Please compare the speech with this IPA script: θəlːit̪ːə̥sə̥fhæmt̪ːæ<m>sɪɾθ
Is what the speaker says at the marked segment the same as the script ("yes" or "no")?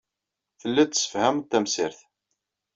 yes